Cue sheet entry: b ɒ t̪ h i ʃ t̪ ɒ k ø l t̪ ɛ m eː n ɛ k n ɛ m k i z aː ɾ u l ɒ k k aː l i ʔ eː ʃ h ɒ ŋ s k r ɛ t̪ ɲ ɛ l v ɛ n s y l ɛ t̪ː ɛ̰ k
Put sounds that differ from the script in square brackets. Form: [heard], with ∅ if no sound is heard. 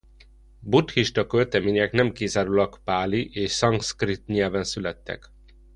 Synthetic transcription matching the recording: b [u] t̪ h i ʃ t̪ ɒ k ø l t̪ ɛ m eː [ɲ] ɛ k n ɛ m k i z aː ɾ u l ɒ k [p] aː l i ʔ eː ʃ [s] ɒ ŋ s k r [i] t̪ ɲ ɛ l v ɛ n s y l ɛ t̪ː ɛ̰ k